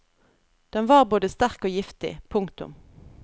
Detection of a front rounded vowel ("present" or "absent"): absent